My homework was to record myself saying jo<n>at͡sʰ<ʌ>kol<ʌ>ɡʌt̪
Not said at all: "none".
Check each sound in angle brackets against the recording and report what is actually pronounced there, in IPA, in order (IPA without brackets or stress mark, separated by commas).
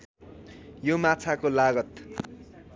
m, a, a